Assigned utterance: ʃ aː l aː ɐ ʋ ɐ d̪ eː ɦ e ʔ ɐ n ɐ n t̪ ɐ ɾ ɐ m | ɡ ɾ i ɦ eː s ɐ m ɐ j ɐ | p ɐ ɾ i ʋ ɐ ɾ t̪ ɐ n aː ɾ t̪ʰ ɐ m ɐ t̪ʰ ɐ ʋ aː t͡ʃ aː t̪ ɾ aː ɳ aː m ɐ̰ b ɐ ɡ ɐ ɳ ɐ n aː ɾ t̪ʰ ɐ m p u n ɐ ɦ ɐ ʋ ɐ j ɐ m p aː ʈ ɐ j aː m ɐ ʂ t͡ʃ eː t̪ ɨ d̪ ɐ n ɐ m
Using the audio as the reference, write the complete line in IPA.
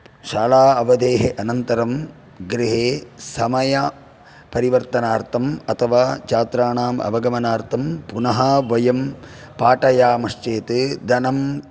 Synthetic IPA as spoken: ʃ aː l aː ɐ ʋ ɐ d̪ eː ɦ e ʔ ɐ n ɐ n t̪ ɐ ɾ ɐ m | ɡ ɾ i ɦ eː s ɐ m ɐ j ɐ | p ɐ ɾ i ʋ ɐ ɾ t̪ ɐ n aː ɾ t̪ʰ ɐ m ɐ t̪ʰ ɐ ʋ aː t͡ʃ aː t̪ ɾ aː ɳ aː m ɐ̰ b ɐ ɡ ɐ m ɐ n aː ɾ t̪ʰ ɐ m p u n ɐ ɦ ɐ ʋ ɐ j ɐ m p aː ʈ ɐ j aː m ɐ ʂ t͡ʃ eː t̪ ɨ d̪ ɐ n ɐ m